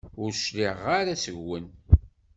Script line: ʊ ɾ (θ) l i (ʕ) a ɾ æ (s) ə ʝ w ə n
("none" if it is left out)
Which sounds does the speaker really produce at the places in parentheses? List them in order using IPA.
ʃ, ʁ, s

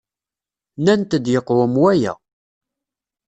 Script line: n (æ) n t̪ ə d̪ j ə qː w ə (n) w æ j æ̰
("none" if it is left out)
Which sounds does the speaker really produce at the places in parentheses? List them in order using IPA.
æ, m

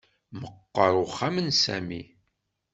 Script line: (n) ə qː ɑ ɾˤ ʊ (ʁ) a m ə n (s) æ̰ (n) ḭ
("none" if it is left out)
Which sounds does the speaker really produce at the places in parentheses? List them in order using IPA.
m, χ, s, m

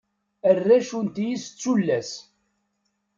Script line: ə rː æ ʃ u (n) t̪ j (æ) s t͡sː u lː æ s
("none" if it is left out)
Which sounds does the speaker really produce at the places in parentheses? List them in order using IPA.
n, i

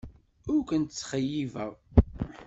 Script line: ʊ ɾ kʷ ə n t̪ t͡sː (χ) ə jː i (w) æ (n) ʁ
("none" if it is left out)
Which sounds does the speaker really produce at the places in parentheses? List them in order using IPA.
χ, v, none

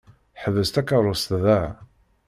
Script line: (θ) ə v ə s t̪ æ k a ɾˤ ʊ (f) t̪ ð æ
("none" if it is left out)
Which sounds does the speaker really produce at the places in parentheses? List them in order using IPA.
ħ, s

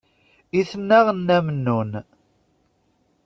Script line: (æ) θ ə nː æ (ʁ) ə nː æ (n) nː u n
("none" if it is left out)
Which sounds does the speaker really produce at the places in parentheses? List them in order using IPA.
i, ʁ, m

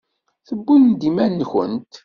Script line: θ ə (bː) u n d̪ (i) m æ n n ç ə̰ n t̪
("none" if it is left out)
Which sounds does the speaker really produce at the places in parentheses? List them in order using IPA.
bː, i

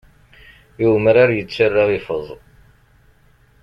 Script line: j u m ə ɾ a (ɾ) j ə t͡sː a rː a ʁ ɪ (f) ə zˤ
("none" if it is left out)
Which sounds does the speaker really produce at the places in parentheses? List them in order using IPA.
ɾ, f

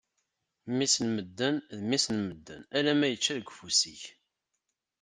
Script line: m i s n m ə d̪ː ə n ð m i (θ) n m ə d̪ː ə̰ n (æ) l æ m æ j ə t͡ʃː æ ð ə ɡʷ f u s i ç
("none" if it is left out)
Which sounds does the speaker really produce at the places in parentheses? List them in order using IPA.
s, æ

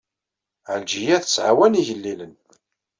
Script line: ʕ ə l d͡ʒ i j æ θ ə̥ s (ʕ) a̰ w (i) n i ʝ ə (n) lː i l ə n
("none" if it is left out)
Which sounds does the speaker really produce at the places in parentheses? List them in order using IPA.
ʕ, æ, none

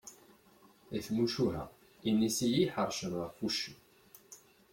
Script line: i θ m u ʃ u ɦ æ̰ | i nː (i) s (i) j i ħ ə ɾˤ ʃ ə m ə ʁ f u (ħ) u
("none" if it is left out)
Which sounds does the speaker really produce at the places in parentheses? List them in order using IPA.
i, i, ʃ

